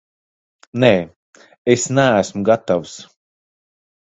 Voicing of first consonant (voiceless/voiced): voiced